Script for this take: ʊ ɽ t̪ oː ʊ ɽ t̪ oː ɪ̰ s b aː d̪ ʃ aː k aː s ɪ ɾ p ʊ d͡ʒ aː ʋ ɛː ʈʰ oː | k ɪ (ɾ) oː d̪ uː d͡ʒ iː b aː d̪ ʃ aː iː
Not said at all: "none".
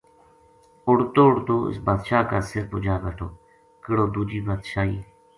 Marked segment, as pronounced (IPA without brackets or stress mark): ɽ